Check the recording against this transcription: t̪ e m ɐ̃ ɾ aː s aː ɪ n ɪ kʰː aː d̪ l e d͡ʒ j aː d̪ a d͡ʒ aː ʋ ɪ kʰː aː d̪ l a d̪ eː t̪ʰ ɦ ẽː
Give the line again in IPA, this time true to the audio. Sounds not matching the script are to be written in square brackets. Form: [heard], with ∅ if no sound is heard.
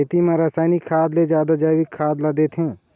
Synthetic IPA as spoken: t̪ [i] m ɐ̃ ɾ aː s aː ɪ n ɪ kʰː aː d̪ l e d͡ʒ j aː d̪ a d͡ʒ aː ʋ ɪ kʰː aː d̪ l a d̪ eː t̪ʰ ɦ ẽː